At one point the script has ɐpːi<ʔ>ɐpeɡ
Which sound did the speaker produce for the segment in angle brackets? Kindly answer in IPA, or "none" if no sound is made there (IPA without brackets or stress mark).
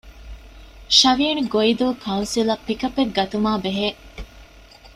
k